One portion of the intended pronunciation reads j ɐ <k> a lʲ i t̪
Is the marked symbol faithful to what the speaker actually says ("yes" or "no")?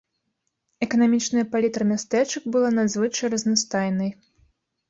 no